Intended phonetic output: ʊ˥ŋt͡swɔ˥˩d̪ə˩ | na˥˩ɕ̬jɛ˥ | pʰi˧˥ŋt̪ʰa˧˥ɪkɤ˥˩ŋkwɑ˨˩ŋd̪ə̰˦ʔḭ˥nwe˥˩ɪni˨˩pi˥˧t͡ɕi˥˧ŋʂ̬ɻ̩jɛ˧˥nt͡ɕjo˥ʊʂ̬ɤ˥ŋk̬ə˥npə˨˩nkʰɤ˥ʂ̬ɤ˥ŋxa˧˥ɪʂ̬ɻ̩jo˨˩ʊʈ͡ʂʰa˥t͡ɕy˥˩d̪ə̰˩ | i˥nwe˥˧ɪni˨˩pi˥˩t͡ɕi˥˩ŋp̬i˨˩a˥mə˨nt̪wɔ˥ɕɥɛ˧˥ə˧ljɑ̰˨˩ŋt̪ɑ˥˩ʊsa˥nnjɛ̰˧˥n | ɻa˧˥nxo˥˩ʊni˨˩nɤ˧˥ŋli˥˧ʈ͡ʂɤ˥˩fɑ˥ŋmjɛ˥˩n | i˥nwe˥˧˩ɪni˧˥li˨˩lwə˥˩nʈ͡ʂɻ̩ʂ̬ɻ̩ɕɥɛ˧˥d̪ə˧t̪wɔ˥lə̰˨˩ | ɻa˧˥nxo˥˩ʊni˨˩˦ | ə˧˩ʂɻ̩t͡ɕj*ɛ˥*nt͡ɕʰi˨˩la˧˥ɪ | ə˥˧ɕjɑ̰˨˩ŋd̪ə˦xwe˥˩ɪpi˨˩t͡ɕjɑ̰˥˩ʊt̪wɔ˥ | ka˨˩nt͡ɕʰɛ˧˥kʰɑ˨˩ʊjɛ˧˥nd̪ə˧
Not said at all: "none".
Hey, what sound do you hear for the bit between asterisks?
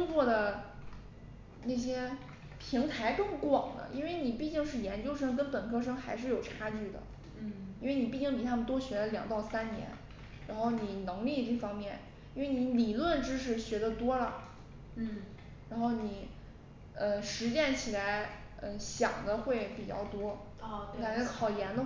ɛ˥˩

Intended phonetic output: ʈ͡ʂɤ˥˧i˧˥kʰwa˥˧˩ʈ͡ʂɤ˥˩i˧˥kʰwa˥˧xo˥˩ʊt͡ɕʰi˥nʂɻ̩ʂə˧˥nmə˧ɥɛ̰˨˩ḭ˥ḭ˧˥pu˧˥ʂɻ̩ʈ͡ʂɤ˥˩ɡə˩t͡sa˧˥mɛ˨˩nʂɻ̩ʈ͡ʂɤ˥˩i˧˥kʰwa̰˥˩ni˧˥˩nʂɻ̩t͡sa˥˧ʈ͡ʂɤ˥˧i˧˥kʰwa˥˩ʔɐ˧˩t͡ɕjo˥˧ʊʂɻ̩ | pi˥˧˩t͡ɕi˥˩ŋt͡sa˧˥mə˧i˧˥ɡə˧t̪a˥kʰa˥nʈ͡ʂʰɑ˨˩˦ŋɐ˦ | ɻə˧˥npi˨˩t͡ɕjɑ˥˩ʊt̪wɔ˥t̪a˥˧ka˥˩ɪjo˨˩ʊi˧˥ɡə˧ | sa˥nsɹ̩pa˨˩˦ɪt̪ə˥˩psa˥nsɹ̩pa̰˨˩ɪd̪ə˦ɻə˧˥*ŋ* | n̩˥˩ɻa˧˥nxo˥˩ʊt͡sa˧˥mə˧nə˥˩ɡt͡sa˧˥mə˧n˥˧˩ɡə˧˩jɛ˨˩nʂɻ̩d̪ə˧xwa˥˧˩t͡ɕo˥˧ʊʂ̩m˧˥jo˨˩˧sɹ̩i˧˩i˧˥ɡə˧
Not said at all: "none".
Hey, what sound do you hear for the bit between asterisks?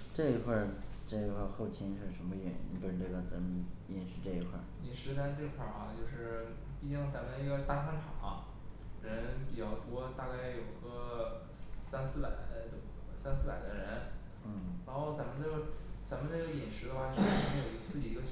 n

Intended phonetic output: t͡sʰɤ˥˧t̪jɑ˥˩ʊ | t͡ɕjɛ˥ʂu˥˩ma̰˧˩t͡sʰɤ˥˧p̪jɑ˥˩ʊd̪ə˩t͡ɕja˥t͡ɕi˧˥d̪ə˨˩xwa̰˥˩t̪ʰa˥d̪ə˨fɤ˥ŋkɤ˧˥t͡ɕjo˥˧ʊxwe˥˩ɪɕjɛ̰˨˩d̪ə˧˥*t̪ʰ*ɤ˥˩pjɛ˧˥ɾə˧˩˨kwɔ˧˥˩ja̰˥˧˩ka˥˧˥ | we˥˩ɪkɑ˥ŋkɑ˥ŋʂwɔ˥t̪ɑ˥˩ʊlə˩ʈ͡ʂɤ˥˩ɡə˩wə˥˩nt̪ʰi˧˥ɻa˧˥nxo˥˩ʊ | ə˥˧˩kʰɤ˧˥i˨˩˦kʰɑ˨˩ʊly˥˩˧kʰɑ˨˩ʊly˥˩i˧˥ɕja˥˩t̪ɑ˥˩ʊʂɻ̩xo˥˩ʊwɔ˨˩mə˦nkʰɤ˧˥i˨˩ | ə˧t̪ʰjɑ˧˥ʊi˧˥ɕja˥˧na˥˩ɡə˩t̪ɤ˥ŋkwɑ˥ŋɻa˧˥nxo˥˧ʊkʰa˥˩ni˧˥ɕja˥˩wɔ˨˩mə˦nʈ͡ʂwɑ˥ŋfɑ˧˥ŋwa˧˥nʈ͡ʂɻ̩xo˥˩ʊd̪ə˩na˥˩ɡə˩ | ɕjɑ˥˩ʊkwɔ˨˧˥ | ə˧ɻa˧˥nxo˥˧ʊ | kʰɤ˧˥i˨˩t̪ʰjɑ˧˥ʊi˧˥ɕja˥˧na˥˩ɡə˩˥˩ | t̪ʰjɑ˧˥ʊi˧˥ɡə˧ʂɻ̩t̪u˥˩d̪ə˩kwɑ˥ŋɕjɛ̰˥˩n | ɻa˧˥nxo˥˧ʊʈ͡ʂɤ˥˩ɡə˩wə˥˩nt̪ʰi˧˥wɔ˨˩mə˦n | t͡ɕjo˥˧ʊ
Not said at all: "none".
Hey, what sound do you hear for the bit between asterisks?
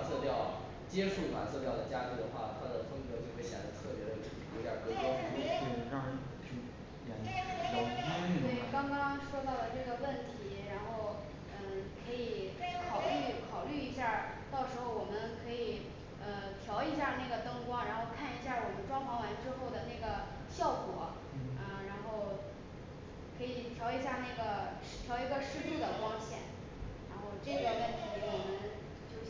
t̪ʰ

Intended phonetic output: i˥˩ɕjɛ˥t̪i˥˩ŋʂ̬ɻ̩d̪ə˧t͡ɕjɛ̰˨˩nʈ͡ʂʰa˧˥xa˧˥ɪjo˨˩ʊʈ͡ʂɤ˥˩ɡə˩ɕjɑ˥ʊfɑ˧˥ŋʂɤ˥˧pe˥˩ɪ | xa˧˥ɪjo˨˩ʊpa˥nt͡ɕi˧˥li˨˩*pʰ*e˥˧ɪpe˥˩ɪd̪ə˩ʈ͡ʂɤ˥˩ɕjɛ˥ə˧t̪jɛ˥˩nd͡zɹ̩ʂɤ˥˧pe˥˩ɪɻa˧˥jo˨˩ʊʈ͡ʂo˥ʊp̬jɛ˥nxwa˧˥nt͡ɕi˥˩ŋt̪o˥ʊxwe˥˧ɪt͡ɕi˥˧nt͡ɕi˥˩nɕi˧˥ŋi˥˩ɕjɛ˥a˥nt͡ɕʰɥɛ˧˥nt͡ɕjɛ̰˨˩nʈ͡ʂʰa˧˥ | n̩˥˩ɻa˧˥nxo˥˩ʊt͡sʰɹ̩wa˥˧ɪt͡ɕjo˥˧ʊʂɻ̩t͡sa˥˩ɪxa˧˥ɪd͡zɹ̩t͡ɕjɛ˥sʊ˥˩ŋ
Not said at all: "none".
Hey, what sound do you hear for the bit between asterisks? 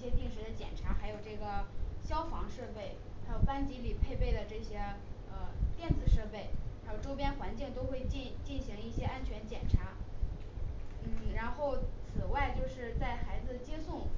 pʰ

